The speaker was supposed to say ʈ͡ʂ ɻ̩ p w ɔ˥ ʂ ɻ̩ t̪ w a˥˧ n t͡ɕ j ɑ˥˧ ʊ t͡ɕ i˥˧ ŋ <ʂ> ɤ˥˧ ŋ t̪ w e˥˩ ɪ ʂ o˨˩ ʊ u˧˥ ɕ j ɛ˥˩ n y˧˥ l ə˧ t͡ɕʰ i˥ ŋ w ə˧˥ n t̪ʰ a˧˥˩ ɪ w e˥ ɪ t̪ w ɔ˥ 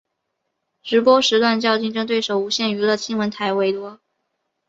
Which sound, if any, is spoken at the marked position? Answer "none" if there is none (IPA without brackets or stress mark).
ʈ͡ʂ